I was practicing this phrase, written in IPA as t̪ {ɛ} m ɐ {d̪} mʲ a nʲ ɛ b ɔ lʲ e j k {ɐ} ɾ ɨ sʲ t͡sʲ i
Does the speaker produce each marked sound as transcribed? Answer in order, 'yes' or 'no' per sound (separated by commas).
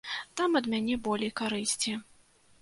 no, yes, no